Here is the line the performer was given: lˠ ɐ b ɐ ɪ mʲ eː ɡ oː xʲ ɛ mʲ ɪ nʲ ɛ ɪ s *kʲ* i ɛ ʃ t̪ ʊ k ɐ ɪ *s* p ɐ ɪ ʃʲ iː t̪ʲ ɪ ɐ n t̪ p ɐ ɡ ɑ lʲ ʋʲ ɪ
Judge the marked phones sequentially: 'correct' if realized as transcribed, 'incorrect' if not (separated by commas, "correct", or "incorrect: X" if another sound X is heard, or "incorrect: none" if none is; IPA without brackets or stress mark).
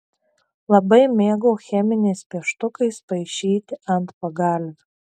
incorrect: pʲ, correct